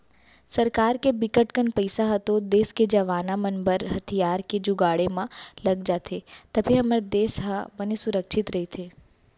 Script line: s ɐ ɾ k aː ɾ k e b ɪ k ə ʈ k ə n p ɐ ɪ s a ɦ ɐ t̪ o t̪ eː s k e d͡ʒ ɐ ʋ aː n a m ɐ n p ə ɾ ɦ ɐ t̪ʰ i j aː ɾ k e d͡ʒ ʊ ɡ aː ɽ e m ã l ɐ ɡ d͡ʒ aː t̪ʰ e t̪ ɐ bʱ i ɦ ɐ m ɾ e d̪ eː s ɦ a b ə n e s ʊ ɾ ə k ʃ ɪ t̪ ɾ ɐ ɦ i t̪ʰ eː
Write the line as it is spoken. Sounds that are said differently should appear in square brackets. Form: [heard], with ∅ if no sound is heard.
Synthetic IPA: s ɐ ɾ k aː ɾ k e b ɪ k ə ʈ k ə n p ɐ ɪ s a ɦ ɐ t̪ o [d̪] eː s k e d͡ʒ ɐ ʋ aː n a m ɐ n [b] ə ɾ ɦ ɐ t̪ʰ i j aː ɾ k e d͡ʒ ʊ ɡ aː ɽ e m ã l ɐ ɡ d͡ʒ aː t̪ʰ e t̪ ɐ bʱ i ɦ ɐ m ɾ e d̪ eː s ɦ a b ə n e s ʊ ɾ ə k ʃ ɪ t̪ ɾ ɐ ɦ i t̪ʰ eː